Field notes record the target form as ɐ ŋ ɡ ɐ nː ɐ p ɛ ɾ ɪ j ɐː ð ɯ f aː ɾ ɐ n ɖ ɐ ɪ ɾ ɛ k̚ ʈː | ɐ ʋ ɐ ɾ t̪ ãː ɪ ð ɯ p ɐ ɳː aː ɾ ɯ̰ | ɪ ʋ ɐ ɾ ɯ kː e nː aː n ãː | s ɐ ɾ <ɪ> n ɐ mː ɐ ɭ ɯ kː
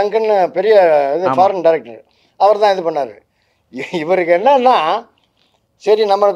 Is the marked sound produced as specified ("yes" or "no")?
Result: no